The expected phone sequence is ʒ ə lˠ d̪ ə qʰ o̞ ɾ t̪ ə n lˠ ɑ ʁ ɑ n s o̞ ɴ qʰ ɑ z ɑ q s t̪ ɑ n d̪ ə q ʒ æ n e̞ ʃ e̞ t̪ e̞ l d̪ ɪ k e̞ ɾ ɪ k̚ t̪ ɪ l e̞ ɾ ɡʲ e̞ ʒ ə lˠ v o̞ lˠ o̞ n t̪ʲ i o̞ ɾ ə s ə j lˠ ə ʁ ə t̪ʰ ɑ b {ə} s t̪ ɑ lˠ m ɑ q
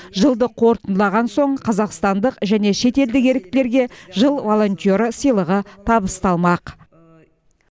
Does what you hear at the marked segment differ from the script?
no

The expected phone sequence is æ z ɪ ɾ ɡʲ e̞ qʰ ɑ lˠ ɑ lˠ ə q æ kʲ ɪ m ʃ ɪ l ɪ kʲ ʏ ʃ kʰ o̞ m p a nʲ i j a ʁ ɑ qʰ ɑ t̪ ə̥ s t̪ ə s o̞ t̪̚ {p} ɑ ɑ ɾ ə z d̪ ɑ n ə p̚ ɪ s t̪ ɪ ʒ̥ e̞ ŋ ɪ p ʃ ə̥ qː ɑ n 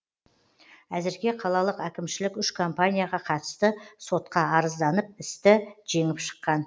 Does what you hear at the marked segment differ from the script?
yes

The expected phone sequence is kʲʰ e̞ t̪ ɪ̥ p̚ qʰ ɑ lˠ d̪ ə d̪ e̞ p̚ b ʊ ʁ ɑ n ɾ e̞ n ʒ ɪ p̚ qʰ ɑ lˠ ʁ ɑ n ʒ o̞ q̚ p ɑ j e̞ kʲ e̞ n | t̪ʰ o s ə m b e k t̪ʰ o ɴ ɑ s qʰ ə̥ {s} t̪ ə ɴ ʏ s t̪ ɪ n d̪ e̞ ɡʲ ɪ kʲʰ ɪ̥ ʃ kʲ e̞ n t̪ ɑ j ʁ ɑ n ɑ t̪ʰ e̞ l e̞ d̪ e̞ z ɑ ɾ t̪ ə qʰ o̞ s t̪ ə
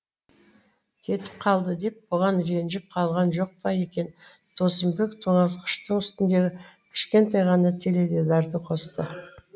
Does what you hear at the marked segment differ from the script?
yes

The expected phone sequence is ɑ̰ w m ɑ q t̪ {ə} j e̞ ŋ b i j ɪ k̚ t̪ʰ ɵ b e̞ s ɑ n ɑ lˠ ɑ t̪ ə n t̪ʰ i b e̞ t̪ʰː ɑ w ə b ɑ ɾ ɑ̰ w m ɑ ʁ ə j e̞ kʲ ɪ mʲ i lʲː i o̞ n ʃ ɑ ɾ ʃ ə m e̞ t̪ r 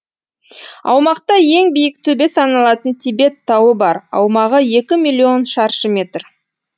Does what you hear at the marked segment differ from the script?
yes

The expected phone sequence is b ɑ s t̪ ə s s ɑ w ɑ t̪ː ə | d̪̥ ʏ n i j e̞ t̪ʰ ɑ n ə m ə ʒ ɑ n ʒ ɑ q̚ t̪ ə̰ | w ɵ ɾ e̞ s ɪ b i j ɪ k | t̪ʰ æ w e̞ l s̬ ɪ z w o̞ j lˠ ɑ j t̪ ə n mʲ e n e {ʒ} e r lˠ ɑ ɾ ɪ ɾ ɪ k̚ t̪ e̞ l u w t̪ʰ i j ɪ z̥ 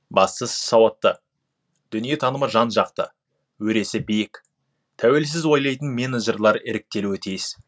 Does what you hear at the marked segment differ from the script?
no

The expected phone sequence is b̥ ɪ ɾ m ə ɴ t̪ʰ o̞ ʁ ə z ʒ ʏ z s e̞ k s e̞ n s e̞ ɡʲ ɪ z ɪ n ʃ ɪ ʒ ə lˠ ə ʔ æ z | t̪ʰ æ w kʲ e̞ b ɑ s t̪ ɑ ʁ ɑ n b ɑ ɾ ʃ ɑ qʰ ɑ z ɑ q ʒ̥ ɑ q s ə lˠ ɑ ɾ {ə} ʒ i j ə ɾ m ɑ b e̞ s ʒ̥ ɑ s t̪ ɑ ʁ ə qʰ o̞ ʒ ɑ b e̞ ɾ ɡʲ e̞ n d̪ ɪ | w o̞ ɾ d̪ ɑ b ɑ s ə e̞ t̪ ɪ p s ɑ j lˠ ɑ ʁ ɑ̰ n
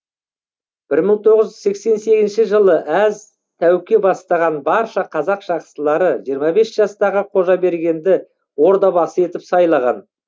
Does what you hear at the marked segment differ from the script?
no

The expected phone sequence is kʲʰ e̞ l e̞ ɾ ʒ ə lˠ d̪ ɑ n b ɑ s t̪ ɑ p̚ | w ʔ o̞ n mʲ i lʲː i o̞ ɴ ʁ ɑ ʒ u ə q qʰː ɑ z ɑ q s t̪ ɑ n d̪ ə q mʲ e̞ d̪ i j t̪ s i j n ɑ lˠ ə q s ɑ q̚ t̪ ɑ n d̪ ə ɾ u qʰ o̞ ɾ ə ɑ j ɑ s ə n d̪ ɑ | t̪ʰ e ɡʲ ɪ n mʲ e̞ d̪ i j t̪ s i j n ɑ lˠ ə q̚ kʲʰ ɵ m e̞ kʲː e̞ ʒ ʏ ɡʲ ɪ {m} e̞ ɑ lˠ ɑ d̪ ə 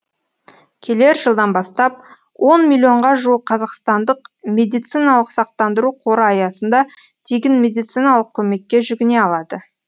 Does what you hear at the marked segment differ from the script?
yes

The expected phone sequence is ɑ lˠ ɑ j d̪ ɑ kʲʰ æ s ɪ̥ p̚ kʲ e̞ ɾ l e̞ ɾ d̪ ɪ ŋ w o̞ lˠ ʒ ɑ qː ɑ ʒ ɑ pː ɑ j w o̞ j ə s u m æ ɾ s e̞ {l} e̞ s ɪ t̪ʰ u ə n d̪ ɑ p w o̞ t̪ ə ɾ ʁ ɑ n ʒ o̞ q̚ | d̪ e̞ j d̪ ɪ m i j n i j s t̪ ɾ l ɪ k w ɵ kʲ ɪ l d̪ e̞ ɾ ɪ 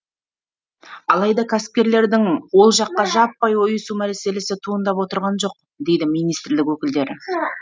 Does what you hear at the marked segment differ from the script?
no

